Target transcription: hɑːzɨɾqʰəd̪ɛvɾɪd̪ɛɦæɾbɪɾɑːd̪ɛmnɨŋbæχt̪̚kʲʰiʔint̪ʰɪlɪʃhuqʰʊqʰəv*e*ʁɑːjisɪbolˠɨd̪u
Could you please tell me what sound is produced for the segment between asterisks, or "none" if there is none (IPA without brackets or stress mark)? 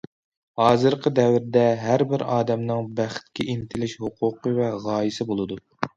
ɛ